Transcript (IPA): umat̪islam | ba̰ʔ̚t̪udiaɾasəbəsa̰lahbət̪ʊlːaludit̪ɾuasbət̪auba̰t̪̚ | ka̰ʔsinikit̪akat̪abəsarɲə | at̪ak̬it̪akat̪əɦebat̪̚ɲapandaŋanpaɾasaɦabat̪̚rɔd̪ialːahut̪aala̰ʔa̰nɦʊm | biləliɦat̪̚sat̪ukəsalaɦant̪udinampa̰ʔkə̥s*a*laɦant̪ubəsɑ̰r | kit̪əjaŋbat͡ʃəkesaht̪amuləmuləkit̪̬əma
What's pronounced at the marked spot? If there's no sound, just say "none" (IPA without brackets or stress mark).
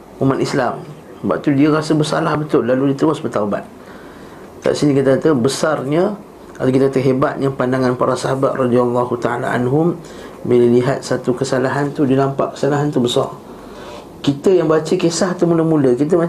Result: a